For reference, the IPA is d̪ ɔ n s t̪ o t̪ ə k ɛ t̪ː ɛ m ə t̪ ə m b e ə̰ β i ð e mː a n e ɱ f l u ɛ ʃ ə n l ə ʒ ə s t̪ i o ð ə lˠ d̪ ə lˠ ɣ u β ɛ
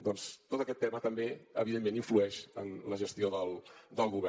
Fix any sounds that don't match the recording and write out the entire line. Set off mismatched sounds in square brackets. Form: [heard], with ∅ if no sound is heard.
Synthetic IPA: d̪ ɔ n s t̪ o t̪ ə k ɛ t̪ː ɛ m ə t̪ ə m b e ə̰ β i ð e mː [e] n [i] ɱ f l u ɛ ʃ ə n l ə ʒ ə s t̪ i o ð ə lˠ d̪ ə lˠ ɣ u β ɛ